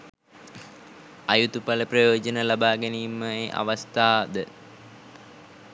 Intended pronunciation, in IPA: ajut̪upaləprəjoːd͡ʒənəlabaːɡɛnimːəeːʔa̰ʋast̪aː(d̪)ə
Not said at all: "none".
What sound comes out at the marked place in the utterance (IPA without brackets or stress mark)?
d̪